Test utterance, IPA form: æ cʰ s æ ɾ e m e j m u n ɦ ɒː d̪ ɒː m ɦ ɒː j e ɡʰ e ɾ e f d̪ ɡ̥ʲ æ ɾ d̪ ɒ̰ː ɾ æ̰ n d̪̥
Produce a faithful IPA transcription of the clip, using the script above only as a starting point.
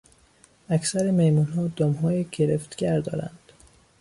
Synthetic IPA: æ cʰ s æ ɾ e m e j m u n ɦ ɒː d̪ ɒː m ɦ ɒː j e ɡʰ e ɾ e f t̪ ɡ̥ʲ æ ɾ d̪ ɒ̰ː ɾ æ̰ n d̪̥

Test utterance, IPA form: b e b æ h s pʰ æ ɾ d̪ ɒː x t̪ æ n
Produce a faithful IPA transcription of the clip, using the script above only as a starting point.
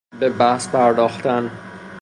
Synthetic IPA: b e b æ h s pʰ æ ɾ d̪ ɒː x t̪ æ n

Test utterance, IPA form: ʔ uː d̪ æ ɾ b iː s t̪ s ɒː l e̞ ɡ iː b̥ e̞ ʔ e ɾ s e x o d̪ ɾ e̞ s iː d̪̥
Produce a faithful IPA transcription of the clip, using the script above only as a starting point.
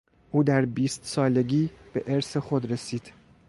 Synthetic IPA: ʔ uː d̪ æ ɾ b iː s t̪ s ɒː l e̞ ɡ iː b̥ e̞ ʔ e ɾ s e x o d̪ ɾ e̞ s iː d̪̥

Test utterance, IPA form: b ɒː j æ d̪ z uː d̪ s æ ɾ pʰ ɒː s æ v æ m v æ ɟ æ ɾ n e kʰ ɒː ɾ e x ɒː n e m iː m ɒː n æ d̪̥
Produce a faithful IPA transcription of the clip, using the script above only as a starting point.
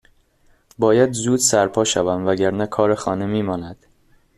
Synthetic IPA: b ɒː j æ d̪ z uː d̪ s æ ɾ pʰ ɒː ʃ æ v æ m v æ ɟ æ ɾ n æ kʰ ɒː ɾ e x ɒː n e m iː m ɒː n æ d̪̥

